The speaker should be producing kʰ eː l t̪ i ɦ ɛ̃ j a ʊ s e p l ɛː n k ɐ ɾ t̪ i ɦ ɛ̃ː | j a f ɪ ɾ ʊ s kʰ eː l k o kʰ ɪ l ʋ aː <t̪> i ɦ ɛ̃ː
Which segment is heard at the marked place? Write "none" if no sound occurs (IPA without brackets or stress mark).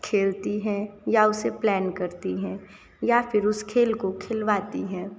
t̪